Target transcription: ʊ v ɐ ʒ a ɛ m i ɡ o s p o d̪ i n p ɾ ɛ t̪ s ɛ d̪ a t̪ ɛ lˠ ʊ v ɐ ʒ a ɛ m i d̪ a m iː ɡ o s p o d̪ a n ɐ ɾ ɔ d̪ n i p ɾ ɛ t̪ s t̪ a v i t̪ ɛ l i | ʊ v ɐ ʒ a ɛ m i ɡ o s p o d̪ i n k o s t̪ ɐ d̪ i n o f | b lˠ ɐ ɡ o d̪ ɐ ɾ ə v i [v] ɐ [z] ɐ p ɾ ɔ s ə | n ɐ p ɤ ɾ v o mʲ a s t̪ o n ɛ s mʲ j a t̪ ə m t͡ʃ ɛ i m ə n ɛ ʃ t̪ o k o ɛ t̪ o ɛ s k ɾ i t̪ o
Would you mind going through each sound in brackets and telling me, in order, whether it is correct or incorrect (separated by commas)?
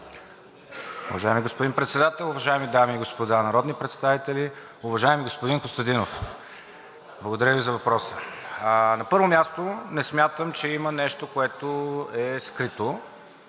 incorrect, incorrect